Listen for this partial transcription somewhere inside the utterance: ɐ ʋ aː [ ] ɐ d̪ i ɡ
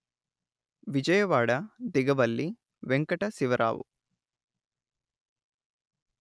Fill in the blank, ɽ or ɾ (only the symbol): ɽ